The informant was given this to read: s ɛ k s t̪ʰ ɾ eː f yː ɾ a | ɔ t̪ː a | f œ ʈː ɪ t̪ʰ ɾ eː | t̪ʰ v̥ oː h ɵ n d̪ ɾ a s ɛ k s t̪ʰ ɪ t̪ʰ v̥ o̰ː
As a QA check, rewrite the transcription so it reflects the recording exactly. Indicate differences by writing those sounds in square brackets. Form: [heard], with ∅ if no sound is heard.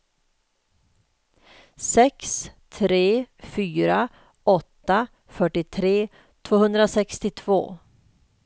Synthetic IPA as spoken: s ɛ k s t̪ʰ ɾ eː f yː ɾ a | ɔ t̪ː a | f œ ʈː ɪ t̪ʰ ɾ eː | t̪ʰ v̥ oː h ɵ n d̪ ɾ a s ɛ k s [t̪] ɪ t̪ʰ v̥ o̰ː